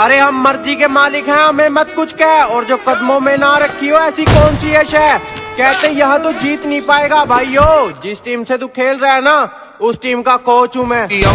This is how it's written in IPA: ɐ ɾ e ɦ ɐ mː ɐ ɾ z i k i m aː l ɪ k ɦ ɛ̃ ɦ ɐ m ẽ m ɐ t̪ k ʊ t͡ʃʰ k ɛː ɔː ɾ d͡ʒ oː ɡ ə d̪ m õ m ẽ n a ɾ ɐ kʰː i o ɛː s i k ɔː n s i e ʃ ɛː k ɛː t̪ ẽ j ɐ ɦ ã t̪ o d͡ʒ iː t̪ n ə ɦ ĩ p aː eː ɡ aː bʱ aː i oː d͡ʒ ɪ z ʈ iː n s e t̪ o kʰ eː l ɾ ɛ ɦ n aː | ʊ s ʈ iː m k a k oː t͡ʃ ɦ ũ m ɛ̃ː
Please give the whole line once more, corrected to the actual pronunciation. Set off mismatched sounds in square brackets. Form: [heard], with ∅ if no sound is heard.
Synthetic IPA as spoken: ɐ ɾ e ɦ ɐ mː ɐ ɾ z i k [e] m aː l ɪ k ɦ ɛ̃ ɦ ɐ m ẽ m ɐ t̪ k ʊ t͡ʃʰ k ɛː ɔː ɾ d͡ʒ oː [k] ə d̪ m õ m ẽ n a ɾ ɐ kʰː i o ɛː s i k ɔː n s i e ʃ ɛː k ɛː t̪ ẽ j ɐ ɦ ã t̪ o d͡ʒ iː t̪ n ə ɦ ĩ p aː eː ɡ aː bʱ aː i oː d͡ʒ ɪ [s] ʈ iː [m] s e t̪ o kʰ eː l ɾ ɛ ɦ n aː | ʊ s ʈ iː m k a k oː t͡ʃ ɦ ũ m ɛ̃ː